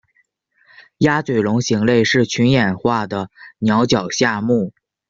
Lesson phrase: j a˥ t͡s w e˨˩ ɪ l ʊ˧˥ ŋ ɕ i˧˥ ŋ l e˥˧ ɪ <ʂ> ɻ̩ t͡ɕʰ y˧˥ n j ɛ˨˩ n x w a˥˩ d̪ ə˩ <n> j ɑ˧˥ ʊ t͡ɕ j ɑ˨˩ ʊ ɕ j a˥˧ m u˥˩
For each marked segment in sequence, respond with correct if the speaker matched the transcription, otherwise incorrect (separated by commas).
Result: correct, correct